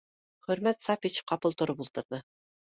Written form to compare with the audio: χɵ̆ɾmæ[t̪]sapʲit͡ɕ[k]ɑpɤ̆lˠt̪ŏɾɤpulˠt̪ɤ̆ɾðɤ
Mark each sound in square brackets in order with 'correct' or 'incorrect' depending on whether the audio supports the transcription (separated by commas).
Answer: correct, incorrect